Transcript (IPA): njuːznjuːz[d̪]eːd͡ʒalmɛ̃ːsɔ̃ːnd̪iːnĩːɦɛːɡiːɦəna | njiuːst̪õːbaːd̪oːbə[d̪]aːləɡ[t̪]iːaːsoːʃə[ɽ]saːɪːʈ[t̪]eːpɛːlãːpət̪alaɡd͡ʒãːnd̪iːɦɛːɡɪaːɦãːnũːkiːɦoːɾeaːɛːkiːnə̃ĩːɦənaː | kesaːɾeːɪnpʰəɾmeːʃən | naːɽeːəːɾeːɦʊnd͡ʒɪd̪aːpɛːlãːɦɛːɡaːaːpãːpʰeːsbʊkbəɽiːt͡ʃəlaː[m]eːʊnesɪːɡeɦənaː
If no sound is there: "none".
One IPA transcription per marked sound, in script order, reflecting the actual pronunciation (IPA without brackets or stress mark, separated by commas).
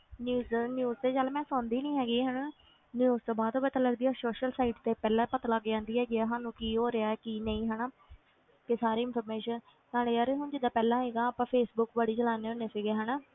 t̪, t̪, d̪, l, t̪, n